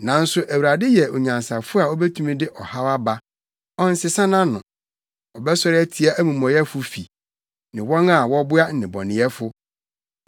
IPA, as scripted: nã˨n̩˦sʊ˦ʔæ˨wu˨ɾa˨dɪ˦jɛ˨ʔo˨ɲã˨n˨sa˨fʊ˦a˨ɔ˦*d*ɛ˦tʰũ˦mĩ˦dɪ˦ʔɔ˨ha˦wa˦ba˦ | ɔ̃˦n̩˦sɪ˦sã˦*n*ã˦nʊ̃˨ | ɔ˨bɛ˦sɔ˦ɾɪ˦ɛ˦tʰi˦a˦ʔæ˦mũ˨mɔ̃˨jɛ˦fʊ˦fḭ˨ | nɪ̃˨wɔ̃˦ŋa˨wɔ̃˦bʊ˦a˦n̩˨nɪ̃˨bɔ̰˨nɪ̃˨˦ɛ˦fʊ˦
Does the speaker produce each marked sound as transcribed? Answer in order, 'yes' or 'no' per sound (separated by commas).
no, yes